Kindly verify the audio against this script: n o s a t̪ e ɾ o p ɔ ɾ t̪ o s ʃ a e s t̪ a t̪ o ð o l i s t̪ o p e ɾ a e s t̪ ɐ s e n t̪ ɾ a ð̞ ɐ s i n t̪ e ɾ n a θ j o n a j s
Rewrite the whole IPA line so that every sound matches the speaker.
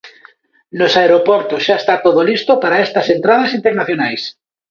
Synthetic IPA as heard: n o s a e ɾ o p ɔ ɾ t̪ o s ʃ a e s t̪ a t̪ o ð o l i s t̪ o p a ɾ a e s t̪ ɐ s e n t̪ ɾ a ð̞ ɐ s i n t̪ e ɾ n a θ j o n a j s